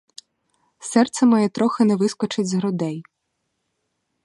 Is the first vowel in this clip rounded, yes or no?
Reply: no